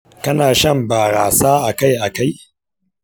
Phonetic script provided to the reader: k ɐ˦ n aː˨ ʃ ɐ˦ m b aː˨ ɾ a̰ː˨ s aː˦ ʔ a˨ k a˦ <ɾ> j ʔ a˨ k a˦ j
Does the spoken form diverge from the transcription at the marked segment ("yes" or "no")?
yes